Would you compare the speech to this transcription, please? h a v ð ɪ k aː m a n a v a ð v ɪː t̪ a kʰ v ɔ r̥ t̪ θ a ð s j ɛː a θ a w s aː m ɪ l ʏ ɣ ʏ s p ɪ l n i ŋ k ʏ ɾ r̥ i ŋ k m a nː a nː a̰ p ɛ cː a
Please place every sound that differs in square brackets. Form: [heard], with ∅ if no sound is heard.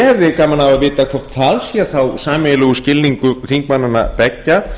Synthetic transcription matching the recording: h [ɛ] v ð ɪ k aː m a n a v a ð v ɪː t̪ a kʰ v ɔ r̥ t̪ θ a ð s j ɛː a θ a w s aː m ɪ l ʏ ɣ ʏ s [c] ɪ l n i ŋ k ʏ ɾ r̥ i ŋ k m a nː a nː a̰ p ɛ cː a